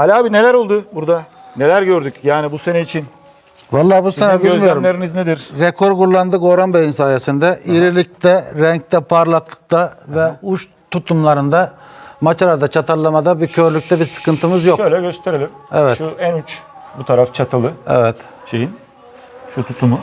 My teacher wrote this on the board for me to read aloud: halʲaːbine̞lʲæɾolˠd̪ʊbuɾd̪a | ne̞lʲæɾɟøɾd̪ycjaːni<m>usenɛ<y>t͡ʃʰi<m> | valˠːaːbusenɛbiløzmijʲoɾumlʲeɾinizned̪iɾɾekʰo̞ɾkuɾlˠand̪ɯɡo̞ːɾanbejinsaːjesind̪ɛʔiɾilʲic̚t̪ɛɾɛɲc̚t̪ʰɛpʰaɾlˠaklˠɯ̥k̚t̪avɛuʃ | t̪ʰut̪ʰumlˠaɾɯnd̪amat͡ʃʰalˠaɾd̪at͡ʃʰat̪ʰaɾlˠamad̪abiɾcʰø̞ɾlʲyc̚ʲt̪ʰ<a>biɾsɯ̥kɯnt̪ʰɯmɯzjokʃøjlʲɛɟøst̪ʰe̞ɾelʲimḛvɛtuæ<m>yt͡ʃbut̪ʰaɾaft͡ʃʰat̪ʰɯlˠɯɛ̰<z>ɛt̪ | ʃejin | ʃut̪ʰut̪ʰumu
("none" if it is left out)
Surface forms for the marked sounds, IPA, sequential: b, i, n, ɛ, n, v

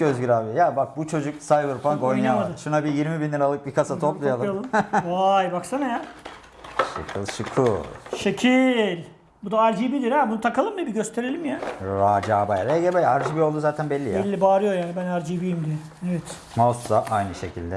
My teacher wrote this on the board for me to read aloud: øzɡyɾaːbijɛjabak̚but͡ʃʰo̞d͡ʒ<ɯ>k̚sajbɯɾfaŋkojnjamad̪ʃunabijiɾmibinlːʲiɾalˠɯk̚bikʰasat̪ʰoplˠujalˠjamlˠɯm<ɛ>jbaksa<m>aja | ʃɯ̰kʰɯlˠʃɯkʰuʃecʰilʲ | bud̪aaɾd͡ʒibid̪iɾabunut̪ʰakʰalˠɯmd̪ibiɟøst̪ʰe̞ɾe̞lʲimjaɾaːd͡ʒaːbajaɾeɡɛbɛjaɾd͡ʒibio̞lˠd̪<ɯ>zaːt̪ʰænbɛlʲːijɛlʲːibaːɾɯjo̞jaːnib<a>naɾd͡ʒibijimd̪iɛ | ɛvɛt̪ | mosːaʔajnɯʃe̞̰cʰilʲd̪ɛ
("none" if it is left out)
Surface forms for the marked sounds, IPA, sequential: u, a, n, u, æ

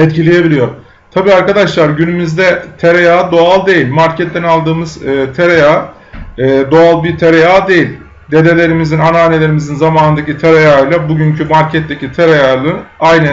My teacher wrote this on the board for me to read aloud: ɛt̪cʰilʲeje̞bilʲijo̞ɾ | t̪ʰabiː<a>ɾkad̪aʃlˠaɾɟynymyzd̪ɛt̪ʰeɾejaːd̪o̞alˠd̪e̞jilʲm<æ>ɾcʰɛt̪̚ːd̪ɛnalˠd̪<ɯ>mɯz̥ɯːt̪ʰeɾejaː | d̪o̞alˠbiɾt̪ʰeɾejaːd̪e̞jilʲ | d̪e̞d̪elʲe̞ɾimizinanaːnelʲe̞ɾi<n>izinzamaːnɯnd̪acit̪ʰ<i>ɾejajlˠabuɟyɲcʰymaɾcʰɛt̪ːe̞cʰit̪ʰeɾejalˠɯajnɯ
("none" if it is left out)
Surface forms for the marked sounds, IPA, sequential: a, a, ɯː, m, e

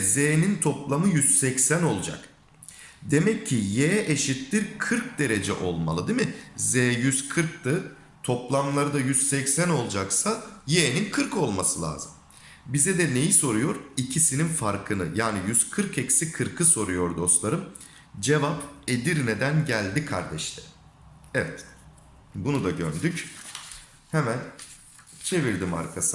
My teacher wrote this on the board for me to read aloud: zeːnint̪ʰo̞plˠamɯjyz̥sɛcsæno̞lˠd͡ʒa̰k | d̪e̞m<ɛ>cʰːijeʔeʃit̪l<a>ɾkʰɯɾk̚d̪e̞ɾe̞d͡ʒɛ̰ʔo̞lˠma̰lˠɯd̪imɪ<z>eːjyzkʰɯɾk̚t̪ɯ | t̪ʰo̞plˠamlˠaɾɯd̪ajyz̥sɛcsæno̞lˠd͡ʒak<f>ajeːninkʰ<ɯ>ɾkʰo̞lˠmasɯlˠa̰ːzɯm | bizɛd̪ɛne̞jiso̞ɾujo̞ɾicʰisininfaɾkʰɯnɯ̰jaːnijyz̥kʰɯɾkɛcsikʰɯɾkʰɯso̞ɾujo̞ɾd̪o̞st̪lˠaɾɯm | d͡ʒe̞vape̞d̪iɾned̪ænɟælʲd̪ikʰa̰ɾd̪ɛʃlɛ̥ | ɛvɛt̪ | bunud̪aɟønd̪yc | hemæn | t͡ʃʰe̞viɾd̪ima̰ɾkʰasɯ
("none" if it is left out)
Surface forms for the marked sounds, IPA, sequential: ɛ, i, z, s, ɯ

